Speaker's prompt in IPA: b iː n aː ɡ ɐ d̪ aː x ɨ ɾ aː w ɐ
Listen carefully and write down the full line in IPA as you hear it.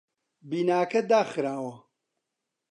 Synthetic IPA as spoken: b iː n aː k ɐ d̪ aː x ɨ ɾ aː w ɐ